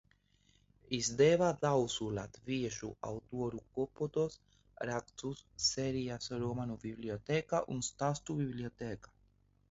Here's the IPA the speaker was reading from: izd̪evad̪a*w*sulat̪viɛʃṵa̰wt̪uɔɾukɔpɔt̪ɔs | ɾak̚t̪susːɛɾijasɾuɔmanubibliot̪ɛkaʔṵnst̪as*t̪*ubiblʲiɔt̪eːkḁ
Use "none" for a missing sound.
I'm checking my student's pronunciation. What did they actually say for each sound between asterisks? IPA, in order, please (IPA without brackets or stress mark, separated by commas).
w, t̪